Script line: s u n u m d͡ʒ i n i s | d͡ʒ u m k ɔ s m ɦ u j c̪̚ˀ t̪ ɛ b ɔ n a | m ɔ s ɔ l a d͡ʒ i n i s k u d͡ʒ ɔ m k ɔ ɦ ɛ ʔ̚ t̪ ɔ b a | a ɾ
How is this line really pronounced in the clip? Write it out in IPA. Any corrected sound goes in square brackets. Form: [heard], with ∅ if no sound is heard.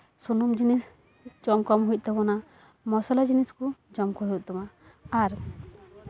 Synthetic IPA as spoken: s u n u m d͡ʒ i n i s | d͡ʒ [ɔ] m k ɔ [∅] m ɦ u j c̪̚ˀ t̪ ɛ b ɔ n a | m ɔ s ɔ l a d͡ʒ i n i s k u d͡ʒ ɔ m k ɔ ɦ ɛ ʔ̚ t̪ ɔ [m] a | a ɾ